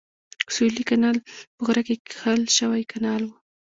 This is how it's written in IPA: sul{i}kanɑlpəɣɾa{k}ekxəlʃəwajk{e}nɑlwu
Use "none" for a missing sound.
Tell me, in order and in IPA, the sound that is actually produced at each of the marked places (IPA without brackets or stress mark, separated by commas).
i, k, a